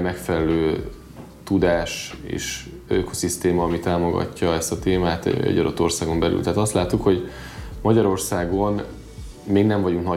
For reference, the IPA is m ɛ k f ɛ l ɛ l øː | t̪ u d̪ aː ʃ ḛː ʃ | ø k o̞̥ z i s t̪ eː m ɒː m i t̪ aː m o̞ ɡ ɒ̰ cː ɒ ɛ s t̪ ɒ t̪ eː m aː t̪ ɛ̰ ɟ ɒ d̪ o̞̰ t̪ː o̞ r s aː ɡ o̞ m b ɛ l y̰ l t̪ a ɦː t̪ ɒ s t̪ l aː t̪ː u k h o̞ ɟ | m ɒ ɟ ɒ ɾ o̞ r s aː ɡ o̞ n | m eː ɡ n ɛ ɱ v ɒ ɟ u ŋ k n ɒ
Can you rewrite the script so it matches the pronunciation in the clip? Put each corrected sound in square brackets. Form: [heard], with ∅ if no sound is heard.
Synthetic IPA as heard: m ɛ k f ɛ l ɛ l øː | t̪ u d̪ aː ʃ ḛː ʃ | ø k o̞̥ [s] i s t̪ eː m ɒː m i t̪ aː m o̞ ɡ ɒ̰ cː ɒ ɛ s t̪ ɒ t̪ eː m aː t̪ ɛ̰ ɟ ɒ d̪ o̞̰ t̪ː o̞ r s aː ɡ o̞ m b ɛ l y̰ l t̪ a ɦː t̪ ɒ s t̪ l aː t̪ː u k h o̞ ɟ | m ɒ ɟ ɒ ɾ o̞ r s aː ɡ o̞ n | m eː ɡ n ɛ ɱ v ɒ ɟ u ŋ k n ɒ